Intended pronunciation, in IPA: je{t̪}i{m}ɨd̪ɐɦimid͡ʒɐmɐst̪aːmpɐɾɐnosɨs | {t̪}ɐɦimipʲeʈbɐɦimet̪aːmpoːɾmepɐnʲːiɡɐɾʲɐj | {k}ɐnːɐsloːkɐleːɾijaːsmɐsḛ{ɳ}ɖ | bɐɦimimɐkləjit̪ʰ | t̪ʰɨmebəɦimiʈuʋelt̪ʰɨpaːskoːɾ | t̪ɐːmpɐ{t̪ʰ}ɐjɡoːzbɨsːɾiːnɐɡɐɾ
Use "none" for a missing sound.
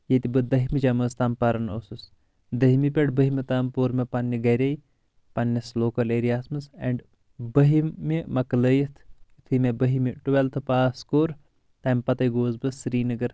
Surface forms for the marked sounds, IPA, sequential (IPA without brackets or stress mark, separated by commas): t̪, b, d̪, p, ɳ, t̪